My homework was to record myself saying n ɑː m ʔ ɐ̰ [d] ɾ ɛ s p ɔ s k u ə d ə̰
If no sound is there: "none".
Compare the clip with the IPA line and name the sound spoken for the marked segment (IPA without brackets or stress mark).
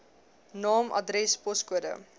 d